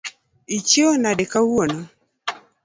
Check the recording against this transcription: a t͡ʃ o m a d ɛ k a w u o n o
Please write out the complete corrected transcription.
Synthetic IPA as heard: i t͡ʃ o n a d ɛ k a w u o n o